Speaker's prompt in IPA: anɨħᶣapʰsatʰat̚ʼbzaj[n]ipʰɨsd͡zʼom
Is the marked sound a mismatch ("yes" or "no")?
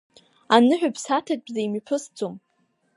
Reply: yes